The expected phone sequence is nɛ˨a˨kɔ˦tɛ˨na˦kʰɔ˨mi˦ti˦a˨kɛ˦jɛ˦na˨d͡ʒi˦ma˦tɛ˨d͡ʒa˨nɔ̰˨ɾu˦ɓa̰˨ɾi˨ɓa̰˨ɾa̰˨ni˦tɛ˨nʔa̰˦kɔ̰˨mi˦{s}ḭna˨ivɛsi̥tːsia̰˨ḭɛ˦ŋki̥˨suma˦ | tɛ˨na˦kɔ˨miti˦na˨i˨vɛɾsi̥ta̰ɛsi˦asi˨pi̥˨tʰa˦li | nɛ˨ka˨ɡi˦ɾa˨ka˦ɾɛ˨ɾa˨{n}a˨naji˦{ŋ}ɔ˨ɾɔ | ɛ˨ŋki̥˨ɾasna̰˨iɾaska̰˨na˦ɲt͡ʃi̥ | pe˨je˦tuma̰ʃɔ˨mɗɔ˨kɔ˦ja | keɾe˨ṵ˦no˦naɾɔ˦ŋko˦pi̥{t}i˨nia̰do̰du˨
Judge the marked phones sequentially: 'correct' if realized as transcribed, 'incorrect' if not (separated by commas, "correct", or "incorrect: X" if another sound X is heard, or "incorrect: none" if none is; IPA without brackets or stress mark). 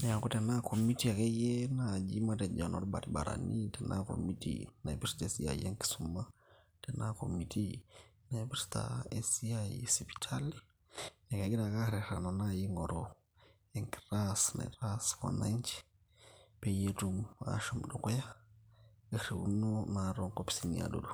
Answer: incorrect: t, correct, correct, incorrect: s